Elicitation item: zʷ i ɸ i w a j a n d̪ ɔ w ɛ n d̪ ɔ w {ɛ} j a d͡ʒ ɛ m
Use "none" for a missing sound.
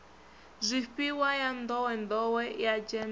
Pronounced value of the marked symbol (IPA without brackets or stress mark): ɛ